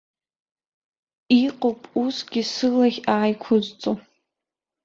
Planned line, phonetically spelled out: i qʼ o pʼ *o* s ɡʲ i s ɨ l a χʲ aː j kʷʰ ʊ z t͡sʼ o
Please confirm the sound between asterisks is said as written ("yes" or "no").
no